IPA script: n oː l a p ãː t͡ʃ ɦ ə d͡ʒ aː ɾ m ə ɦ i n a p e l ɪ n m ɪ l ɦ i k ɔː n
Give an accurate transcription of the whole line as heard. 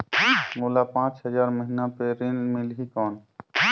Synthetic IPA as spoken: m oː l a p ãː t͡ʃ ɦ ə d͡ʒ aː ɾ m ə ɦ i n a p e ɾ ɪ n m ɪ l ɦ i k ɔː n